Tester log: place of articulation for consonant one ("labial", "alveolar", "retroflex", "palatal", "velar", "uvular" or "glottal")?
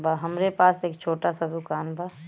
labial